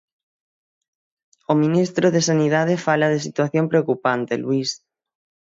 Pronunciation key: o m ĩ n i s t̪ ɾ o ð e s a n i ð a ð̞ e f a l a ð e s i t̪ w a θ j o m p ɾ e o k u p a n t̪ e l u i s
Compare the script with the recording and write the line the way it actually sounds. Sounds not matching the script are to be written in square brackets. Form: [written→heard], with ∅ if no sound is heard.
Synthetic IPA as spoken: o m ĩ n i s t̪ ɾ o ð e s a n i ð a ð̞ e f a l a ð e s i t̪ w a θ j o m p ɾ e o k u p a n t̪ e l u i s